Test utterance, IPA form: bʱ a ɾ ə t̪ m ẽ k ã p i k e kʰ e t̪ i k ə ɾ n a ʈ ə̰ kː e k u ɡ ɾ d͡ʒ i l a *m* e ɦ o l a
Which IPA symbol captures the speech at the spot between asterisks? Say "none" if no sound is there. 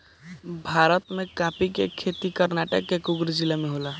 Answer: m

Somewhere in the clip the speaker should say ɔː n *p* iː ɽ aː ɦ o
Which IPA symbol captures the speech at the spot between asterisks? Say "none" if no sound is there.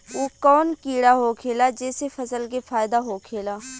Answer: k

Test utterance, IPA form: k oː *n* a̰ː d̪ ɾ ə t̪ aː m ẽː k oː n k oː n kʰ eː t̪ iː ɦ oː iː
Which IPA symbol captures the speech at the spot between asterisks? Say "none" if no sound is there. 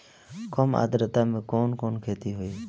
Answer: m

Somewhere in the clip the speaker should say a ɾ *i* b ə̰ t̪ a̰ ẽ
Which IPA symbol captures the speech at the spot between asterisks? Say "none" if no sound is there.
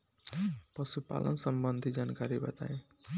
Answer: i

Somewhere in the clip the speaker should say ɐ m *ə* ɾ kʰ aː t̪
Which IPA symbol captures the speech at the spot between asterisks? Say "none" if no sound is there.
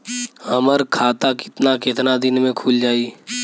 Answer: ə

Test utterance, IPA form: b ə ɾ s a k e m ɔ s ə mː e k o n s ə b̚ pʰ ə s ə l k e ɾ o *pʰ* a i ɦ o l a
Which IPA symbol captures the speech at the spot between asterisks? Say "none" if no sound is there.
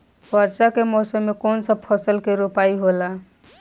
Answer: p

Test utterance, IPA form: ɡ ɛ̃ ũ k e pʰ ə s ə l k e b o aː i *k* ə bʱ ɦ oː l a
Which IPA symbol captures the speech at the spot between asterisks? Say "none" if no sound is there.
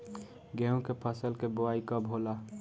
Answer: k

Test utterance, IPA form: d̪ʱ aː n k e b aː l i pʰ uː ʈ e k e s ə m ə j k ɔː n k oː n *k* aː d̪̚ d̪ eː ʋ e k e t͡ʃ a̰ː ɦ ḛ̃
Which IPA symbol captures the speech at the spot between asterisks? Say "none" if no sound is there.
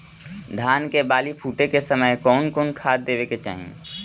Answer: kʰ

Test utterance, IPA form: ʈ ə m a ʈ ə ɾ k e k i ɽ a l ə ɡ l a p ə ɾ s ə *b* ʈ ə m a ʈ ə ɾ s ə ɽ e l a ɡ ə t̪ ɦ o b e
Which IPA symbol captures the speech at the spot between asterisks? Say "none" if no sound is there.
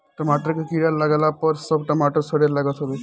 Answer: b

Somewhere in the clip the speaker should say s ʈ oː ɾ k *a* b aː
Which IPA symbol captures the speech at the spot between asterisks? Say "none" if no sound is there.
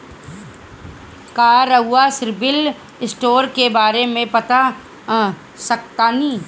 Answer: e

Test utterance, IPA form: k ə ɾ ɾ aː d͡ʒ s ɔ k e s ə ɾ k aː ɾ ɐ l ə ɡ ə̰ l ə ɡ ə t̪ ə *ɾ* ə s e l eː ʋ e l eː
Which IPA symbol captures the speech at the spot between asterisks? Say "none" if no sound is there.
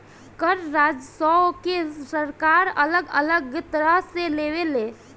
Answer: ɾ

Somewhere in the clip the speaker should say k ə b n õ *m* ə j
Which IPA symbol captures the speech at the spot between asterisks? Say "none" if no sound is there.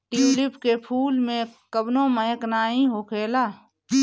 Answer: m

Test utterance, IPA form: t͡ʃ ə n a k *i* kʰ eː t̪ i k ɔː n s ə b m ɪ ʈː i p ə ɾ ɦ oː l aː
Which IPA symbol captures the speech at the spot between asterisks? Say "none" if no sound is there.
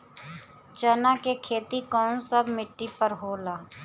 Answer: e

